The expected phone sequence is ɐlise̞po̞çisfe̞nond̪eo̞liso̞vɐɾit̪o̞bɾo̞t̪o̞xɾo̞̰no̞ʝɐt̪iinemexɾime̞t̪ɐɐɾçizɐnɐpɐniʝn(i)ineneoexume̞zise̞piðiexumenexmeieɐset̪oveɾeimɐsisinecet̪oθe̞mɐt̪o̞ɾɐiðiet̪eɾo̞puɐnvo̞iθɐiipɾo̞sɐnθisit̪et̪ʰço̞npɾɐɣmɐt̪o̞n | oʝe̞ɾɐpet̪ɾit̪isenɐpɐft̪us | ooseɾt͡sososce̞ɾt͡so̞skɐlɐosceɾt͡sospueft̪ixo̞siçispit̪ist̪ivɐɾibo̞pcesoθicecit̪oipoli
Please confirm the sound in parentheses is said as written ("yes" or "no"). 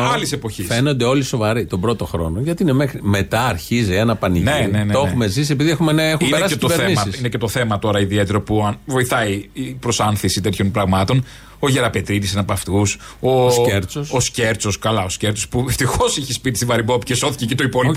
no